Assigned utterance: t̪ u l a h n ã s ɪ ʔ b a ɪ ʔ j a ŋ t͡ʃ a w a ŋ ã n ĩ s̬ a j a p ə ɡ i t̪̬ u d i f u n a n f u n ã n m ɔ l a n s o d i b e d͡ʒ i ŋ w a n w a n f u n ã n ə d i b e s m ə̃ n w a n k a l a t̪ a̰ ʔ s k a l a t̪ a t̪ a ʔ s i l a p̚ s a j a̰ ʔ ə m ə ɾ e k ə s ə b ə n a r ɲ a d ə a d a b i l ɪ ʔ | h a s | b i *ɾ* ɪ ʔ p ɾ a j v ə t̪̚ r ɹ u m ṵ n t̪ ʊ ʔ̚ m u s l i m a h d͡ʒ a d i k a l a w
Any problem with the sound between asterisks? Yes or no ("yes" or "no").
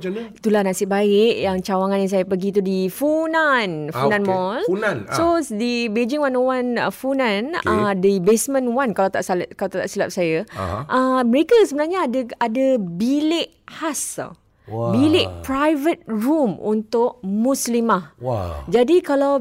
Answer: yes